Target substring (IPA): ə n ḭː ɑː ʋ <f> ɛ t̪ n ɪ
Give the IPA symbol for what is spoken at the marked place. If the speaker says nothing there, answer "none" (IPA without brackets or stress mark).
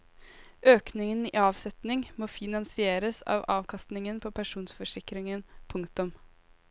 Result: s